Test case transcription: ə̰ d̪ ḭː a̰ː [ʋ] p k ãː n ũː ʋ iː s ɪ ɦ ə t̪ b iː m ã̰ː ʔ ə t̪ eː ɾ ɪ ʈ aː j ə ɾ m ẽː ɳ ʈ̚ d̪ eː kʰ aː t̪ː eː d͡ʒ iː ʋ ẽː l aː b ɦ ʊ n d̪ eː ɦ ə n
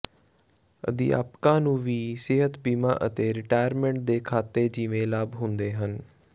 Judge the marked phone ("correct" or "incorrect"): incorrect